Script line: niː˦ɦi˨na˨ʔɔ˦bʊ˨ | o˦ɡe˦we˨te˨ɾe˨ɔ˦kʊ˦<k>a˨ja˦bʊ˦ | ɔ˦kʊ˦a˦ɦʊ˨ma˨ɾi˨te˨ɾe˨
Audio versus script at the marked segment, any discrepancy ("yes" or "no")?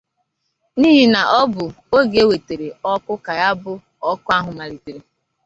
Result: no